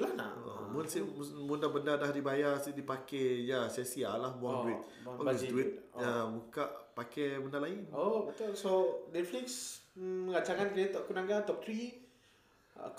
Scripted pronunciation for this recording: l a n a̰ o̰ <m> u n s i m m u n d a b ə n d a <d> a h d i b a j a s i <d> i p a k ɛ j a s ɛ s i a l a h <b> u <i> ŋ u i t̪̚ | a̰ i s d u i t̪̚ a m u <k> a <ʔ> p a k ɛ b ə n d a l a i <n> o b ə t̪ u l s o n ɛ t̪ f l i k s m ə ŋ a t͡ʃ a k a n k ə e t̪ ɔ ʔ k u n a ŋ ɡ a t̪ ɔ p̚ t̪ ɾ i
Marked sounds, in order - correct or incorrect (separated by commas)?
correct, correct, correct, correct, incorrect, correct, correct, correct